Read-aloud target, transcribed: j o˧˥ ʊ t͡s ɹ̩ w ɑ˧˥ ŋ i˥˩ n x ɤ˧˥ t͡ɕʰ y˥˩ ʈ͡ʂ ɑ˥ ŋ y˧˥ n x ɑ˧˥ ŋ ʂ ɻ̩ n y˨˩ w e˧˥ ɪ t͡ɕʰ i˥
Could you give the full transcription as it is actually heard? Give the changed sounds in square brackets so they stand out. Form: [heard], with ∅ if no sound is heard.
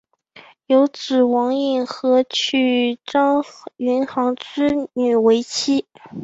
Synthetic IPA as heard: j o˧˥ ʊ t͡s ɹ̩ w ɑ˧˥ ŋ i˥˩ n x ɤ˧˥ t͡ɕʰ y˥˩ ʈ͡ʂ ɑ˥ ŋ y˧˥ n x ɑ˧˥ ŋ [ʈ͡ʂ] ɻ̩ n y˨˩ w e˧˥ ɪ t͡ɕʰ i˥

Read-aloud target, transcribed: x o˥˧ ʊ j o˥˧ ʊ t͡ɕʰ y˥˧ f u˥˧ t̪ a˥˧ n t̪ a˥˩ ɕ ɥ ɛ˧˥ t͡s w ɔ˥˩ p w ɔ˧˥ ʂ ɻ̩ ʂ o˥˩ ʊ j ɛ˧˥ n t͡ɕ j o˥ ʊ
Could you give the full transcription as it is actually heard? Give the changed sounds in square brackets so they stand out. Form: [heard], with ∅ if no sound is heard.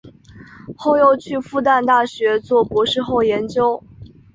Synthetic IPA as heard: x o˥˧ ʊ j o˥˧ ʊ t͡ɕʰ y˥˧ f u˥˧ t̪ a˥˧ n t̪ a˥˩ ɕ ɥ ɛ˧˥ t͡s w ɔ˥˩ p w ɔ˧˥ ʂ ɻ̩ [x] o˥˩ ʊ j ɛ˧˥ n t͡ɕ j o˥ ʊ

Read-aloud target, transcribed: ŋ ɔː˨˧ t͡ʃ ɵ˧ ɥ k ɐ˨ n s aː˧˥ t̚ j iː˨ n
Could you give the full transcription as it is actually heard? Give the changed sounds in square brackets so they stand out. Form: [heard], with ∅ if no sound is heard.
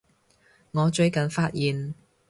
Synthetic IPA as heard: ŋ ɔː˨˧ t͡ʃ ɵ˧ ɥ k ɐ˨ n [f] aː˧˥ t̚ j iː˨ n

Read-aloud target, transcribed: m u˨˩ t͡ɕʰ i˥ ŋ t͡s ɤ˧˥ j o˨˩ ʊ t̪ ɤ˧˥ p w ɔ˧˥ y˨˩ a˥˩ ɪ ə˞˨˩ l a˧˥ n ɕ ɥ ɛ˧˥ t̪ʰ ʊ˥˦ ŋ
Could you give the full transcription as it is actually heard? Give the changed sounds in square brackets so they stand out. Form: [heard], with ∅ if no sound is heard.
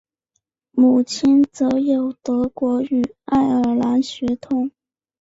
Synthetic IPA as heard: m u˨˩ t͡ɕʰ i˥ [n] t͡s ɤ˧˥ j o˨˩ ʊ t̪ ɤ˧˥ [k] w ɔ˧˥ y˨˩ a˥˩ ɪ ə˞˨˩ l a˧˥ n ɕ ɥ ɛ˧˥ t̪ʰ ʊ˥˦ ŋ

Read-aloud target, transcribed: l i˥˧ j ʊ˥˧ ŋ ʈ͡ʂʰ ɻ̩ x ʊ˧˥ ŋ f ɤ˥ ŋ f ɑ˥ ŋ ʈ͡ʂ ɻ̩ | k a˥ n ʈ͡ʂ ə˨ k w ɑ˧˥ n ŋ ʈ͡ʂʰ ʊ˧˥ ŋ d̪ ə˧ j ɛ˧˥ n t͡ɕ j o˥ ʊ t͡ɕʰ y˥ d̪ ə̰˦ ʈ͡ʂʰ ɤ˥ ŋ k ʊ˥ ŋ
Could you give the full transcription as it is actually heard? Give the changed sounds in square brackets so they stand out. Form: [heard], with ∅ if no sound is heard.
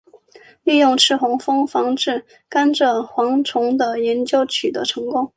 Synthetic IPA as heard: l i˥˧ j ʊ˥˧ ŋ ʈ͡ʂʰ ɻ̩ x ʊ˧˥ ŋ f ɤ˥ ŋ f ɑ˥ ŋ ʈ͡ʂ ɻ̩ | k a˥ n ʈ͡ʂ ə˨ [x] w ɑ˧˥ [∅] ŋ ʈ͡ʂʰ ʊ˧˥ ŋ d̪ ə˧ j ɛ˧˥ n t͡ɕ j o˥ ʊ t͡ɕʰ [y˨˩] d̪ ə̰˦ ʈ͡ʂʰ [ɤ˧˥] ŋ k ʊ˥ ŋ

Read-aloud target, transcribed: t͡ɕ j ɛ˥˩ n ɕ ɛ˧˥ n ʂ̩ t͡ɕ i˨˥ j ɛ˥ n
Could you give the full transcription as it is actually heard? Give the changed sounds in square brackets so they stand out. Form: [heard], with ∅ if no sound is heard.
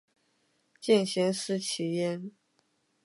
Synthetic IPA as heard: t͡ɕ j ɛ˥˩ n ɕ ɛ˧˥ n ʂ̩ [t͡ɕʰ] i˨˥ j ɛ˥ n

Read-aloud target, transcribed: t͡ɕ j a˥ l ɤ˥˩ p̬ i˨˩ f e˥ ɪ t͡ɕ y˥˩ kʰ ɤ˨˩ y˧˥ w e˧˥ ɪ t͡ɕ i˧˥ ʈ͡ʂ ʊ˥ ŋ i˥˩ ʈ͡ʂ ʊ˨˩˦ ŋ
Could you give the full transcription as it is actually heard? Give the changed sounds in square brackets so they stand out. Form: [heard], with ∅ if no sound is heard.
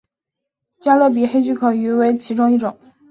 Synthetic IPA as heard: t͡ɕ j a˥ l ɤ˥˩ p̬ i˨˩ [x] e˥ ɪ t͡ɕ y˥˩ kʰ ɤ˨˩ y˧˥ w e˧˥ ɪ [t͡ɕʰ] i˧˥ ʈ͡ʂ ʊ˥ ŋ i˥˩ ʈ͡ʂ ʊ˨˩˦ ŋ

